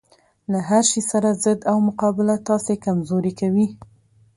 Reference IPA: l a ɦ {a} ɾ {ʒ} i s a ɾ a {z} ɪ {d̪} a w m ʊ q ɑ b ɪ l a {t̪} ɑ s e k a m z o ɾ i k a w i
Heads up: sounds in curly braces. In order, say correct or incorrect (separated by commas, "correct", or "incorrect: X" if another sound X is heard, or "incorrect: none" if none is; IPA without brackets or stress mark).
correct, incorrect: ʃ, correct, correct, correct